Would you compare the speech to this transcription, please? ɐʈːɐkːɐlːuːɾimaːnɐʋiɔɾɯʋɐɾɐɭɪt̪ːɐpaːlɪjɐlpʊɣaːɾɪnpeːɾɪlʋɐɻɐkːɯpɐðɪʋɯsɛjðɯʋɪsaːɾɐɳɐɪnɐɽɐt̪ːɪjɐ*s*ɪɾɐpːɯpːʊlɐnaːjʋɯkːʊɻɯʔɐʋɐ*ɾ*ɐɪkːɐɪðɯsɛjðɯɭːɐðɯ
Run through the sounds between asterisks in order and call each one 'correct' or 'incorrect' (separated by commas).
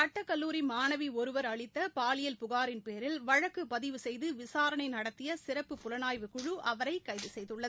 correct, correct